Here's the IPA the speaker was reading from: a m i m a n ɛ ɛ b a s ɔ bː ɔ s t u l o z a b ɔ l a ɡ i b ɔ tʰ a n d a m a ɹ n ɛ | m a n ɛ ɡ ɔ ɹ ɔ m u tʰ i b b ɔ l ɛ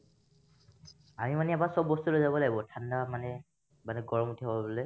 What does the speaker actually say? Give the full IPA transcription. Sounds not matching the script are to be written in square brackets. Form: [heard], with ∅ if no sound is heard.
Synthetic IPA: a m i m a n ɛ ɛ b a s ɔ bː ɔ s t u l o z a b ɔ l a ɡ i b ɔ tʰ a n d a m a [∅] n ɛ | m a n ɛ ɡ ɔ ɹ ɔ m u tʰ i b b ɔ l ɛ